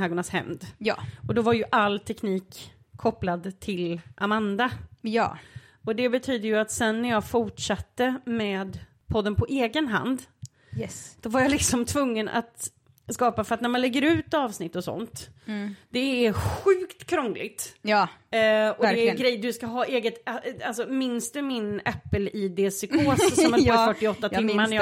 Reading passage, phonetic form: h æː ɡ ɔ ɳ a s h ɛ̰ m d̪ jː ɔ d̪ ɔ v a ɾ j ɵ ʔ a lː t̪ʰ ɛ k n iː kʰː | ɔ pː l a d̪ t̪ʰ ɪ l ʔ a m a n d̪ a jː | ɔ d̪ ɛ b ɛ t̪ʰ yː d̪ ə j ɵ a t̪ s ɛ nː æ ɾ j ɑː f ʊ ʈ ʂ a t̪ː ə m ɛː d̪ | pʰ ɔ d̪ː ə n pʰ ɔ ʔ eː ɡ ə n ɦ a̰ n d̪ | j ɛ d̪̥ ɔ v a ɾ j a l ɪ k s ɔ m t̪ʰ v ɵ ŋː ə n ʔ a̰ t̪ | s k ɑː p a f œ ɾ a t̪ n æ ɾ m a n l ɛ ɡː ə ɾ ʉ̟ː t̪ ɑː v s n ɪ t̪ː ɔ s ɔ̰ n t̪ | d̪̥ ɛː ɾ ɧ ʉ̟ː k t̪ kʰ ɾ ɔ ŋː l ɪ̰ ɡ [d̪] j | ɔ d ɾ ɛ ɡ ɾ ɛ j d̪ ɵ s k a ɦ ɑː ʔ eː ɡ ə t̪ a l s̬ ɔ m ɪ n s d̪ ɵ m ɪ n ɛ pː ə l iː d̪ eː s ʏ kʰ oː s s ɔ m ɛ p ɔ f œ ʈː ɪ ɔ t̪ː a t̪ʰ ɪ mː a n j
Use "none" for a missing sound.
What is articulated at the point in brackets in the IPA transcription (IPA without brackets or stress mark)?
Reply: t̪